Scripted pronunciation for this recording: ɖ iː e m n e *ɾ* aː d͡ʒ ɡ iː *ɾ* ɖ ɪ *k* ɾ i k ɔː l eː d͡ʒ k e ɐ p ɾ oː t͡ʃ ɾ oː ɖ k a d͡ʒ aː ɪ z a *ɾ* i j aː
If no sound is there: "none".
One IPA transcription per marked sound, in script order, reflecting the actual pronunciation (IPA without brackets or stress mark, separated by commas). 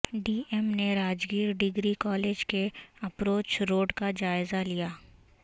ɾ, ɾ, ɡ, l